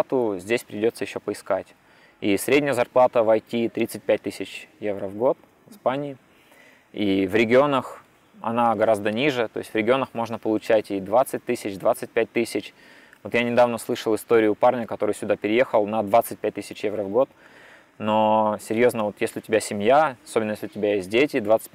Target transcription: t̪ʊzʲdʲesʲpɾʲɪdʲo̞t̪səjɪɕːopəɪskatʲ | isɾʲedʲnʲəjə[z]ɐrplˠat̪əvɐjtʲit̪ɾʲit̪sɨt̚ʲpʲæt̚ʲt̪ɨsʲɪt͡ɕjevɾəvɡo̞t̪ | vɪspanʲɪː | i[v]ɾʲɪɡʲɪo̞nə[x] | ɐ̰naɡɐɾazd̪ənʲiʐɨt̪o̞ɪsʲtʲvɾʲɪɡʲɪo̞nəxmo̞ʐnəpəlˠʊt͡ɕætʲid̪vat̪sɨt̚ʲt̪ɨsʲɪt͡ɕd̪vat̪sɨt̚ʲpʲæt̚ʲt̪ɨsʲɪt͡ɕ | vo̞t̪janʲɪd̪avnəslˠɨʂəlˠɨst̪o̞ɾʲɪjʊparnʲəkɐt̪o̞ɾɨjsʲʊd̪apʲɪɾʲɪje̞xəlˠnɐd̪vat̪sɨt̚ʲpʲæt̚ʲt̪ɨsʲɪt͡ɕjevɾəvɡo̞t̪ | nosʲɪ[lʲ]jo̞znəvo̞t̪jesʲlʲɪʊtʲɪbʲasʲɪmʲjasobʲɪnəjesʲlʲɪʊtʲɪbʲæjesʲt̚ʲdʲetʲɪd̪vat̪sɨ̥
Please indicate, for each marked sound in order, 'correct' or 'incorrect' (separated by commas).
correct, correct, correct, incorrect